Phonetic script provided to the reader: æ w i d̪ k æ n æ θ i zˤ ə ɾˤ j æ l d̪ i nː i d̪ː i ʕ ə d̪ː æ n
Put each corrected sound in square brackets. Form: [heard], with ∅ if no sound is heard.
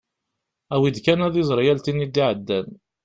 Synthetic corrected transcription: æ w i d̪ k æ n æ [ð] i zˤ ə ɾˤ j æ l [t̪] i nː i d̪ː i ʕ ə d̪ː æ n